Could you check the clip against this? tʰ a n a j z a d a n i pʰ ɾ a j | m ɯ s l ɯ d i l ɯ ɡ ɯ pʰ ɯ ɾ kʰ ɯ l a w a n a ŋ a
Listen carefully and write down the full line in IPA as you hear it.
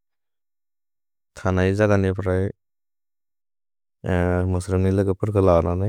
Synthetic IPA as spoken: tʰ a n a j z a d a n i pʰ ɾ a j | m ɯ s ɾ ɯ n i l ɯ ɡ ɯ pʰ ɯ ɾ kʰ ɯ l a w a n a n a